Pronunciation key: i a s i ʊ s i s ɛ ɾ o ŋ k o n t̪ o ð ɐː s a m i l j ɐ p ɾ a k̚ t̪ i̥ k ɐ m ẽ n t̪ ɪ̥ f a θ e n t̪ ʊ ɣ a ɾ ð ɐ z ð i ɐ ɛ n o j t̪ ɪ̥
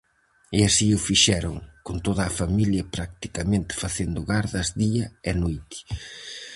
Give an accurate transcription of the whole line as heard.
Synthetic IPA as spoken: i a s i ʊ f i ʃ ɛ ɾ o ŋ k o n t̪ o ð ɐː f a m i l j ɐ p ɾ a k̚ t̪ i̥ k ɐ m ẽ n t̪ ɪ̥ f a θ e n d̪ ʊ ɣ a ɾ ð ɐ z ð i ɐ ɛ n o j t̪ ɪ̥